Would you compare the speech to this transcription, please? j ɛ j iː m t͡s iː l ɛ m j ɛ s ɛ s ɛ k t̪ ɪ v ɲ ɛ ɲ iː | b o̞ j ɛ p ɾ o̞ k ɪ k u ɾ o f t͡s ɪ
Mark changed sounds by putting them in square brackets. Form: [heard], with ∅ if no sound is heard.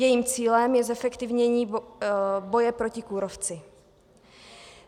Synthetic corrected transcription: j ɛ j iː m t͡s iː l ɛ m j ɛ [z] ɛ [f] ɛ k t̪ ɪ v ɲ ɛ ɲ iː | b o̞ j ɛ p ɾ o̞ [c] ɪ k u ɾ o f t͡s ɪ